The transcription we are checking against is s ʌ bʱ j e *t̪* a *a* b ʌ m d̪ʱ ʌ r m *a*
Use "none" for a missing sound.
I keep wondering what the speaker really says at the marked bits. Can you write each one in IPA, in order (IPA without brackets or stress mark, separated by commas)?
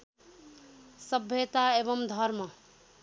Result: t̪, e, ʌ